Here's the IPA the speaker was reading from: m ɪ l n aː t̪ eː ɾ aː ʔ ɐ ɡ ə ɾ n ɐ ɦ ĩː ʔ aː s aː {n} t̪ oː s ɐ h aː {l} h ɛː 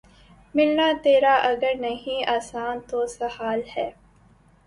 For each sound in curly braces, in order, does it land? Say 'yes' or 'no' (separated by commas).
yes, yes